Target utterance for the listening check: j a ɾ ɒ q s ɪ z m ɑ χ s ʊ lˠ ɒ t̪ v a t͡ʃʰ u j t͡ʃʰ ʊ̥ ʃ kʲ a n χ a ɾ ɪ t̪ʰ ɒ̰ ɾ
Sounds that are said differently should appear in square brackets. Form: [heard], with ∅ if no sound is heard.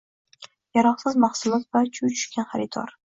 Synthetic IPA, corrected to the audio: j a ɾ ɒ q s ɪ z m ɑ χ s ʊ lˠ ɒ t̪ v a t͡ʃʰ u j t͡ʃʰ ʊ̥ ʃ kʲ a n χ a ɾ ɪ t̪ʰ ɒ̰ ɾ